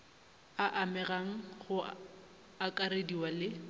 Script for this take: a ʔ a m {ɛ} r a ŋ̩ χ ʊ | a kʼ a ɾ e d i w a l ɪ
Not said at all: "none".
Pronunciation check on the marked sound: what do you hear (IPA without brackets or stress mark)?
ɛ